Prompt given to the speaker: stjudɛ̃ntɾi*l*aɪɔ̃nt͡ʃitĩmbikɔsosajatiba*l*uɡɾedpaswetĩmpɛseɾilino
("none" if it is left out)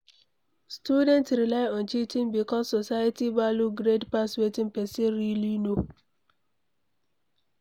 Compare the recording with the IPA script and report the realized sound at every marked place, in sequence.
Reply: l, l

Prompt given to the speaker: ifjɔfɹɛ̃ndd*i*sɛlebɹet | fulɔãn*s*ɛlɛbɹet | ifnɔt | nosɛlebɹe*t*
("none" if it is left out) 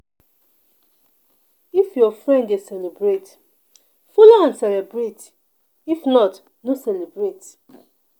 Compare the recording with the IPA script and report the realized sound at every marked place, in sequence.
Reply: e, s, t

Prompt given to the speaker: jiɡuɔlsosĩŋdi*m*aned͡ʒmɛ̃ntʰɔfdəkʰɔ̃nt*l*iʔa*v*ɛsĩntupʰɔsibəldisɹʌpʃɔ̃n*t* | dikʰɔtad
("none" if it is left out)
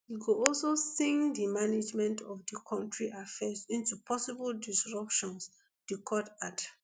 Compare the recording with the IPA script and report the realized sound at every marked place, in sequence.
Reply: m, ɹ, f, s

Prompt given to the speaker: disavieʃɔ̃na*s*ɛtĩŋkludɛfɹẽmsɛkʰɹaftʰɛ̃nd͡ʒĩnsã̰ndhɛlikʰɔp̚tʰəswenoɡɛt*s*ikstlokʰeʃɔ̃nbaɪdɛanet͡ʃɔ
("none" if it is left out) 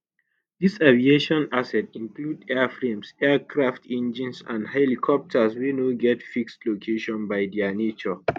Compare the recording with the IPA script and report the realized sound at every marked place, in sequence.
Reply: s, f

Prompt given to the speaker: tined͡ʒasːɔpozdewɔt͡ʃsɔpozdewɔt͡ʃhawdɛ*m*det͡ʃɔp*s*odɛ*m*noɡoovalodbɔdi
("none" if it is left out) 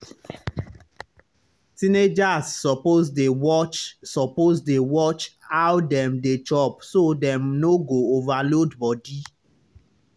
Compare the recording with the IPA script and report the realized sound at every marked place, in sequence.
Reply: m, s, m

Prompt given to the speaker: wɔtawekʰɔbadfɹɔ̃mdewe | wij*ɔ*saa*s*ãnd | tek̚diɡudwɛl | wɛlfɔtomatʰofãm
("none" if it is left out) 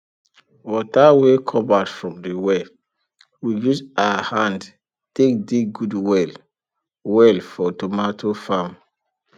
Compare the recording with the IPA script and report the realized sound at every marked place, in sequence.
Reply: u, h

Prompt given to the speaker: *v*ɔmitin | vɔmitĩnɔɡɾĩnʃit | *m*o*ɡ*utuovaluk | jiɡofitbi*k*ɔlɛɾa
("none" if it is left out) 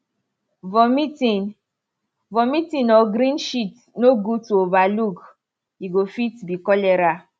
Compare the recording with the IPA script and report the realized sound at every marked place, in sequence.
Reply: v, n, ɡ, k

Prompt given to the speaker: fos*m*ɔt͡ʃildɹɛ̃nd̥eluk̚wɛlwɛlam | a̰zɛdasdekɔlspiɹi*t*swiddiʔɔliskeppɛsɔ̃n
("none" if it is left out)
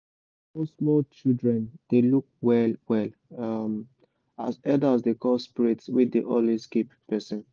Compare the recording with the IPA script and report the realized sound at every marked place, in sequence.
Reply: m, t

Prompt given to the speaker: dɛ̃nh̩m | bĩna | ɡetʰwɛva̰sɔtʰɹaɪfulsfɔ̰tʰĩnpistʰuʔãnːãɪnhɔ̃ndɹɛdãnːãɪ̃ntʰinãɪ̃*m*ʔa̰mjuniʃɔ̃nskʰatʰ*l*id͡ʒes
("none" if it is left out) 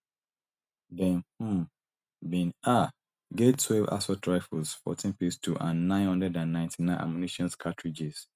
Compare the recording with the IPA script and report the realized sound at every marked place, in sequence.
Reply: n, ɹ

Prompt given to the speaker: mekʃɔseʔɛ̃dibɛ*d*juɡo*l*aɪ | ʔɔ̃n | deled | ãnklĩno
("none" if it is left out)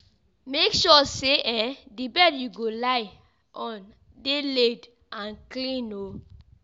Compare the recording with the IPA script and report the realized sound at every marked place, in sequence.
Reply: d, l

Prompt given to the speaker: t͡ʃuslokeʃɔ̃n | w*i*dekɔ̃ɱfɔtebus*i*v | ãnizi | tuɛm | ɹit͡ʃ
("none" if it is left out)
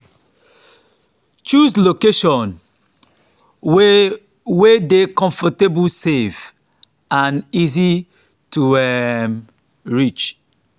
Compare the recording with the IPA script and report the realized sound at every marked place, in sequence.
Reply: e, e

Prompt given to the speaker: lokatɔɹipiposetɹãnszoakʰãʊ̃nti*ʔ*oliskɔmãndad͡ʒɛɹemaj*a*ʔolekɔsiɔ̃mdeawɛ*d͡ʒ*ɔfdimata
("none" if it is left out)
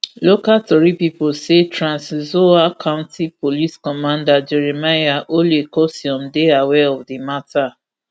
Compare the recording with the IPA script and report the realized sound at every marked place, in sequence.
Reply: p, a, none

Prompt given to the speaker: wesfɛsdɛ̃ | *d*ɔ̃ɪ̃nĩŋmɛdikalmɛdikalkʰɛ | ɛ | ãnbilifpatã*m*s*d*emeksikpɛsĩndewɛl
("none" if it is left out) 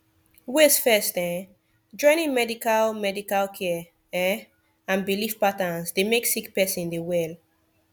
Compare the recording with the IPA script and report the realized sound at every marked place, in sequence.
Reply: d͡ʒ, n, d

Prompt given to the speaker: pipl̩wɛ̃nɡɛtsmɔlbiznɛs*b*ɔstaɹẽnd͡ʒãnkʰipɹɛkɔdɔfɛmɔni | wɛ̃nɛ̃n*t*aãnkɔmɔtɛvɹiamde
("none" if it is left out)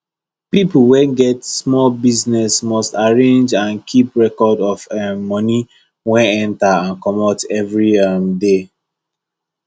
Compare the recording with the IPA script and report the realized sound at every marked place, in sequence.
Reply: m, t

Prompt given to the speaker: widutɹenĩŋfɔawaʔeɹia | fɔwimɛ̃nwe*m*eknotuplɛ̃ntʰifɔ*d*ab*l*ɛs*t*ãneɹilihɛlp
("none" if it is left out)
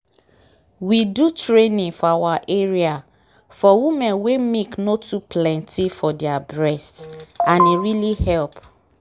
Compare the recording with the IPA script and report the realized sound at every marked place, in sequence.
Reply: m, d, ɹ, t

